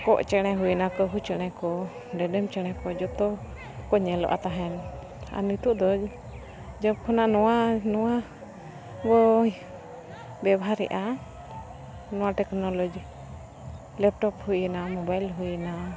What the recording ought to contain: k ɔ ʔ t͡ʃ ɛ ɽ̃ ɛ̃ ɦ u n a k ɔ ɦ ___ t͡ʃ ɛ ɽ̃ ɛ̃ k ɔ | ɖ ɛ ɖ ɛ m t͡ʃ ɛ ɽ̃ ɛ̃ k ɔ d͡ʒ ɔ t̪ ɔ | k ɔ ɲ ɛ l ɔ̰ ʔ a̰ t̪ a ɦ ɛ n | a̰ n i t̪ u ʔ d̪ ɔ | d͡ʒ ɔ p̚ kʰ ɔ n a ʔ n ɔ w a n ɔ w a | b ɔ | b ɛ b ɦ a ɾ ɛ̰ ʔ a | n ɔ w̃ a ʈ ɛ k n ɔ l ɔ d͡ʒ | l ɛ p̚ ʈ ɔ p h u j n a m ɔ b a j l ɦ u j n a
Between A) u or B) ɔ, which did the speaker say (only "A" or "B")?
A